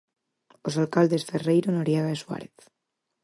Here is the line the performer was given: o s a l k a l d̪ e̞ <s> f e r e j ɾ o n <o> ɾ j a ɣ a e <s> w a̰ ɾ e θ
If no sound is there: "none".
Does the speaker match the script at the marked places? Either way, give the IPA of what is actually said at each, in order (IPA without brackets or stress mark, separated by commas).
s, o, s